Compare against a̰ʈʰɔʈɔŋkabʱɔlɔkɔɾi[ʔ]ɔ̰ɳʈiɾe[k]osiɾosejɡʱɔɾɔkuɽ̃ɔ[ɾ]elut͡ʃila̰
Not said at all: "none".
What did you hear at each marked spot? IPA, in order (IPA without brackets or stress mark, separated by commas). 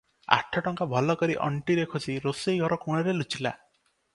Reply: ʔ, kʰ, ɾ